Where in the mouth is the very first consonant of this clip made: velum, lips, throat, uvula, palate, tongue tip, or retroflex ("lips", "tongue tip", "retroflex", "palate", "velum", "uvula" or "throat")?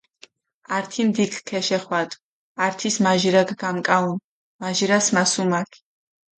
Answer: tongue tip